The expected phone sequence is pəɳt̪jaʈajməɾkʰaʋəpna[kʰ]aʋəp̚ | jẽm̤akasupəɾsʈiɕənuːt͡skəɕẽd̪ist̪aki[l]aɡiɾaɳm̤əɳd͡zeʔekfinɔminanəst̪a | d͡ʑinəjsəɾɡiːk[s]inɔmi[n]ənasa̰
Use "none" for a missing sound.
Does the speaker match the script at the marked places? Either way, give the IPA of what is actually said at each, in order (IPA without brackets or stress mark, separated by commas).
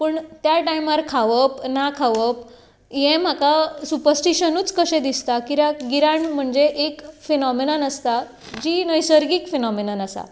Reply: kʰ, ɾ, f, n